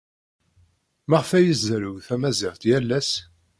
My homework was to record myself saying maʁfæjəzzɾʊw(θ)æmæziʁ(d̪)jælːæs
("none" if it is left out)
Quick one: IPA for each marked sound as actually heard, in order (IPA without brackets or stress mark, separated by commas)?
θ, t̪